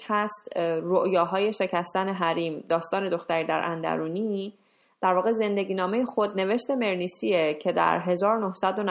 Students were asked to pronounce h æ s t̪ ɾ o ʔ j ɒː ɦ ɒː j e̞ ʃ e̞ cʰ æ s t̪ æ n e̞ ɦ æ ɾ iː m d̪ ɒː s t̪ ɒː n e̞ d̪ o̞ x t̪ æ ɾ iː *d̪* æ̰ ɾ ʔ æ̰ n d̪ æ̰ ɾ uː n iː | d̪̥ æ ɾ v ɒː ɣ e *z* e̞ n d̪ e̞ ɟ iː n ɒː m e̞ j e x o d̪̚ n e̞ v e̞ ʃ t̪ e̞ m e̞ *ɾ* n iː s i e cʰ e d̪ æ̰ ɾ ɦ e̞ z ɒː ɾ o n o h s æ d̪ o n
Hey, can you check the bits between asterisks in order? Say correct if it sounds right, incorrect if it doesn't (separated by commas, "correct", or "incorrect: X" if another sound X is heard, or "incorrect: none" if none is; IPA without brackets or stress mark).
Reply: correct, correct, correct